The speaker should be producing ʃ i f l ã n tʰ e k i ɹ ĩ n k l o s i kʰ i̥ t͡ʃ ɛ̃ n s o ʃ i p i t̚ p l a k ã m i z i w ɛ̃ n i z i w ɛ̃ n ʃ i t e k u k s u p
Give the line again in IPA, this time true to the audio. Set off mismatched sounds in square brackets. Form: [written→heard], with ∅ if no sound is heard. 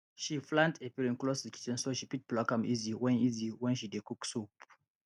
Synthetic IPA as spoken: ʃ i f l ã n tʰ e [k→p] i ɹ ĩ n k l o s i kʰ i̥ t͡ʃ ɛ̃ n s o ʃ i p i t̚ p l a k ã m i z i w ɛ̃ n i z i w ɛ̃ n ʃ i [t→d] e k u k s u p